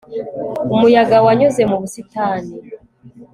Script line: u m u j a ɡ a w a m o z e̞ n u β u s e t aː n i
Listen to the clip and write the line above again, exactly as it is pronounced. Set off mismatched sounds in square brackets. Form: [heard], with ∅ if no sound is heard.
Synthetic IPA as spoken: u m u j a ɡ a w a [ɲ] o z e̞ [m] u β u s [i] t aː n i